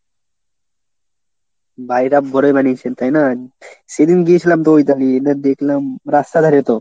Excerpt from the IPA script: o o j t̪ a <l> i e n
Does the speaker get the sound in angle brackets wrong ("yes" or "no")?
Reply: no